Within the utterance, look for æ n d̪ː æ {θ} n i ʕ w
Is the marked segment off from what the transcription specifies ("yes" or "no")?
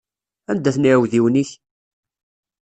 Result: no